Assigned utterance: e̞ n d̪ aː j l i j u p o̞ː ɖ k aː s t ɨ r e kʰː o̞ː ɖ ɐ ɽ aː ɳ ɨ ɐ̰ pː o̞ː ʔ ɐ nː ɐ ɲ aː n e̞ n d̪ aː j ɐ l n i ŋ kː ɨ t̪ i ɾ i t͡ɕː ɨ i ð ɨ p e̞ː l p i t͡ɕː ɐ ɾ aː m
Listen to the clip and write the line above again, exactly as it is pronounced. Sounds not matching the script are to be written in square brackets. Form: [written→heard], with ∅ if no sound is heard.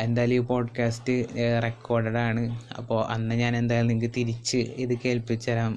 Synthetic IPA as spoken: e̞ n d̪ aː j l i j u p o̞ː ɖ k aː s t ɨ r e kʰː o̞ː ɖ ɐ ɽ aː ɳ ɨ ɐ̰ pː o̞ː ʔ ɐ nː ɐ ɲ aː n e̞ n d̪ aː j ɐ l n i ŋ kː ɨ t̪ i ɾ i t͡ɕː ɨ i ð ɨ [p→k] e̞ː l p i t͡ɕː ɐ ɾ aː m